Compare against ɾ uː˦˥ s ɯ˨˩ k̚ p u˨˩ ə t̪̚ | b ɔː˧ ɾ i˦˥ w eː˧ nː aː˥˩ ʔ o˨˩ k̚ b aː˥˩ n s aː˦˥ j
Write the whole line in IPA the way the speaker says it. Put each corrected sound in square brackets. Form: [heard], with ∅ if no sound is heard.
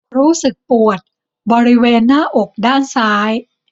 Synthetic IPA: ɾ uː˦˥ s ɯ˨˩ k̚ p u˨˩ ə t̪̚ | b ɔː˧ ɾ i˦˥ w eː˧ nː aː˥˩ ʔ o˨˩ k̚ [d] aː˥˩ n s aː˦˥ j